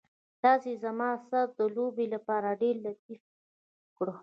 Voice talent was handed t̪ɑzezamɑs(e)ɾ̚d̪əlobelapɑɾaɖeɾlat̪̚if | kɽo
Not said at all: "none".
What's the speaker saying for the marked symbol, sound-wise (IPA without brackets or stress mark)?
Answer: a